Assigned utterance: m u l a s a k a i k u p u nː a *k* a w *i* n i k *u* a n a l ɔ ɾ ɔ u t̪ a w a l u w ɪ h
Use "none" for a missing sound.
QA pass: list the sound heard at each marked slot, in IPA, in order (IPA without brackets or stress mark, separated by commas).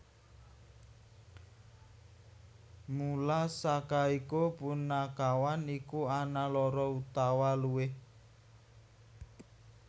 k, a, u